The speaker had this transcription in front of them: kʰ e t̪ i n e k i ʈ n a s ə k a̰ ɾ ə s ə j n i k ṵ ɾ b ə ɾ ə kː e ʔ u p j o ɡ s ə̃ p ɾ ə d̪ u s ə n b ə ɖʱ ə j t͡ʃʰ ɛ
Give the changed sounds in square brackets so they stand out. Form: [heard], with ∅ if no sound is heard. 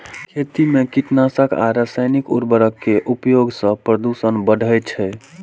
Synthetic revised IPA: kʰ e t̪ i [m] e k i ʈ n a s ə k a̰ ɾ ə s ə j n i k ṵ ɾ b ə ɾ ə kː e ʔ u p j o ɡ s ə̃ p ɾ ə d̪ u s ə n b ə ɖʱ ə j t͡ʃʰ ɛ